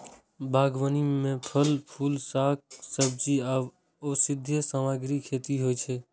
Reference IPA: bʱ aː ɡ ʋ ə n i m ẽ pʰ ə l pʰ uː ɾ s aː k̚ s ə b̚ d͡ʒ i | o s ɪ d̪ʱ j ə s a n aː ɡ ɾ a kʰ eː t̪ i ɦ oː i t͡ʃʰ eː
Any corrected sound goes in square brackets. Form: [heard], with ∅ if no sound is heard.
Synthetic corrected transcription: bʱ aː ɡ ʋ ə n i m ẽ pʰ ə l pʰ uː [l] s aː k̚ s ə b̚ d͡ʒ i | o s ɪ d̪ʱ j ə s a [m] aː ɡ ɾ [i] kʰ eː t̪ i ɦ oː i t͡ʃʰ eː